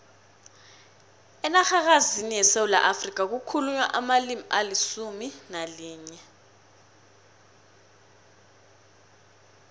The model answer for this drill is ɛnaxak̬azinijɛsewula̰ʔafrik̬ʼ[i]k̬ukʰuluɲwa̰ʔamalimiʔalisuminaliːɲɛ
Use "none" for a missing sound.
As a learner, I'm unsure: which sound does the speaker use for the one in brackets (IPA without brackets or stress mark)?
a